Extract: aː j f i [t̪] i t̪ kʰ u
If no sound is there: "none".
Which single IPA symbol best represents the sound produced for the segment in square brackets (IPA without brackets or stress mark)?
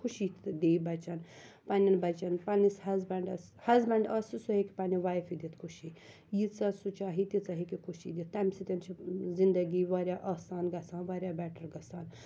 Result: d̪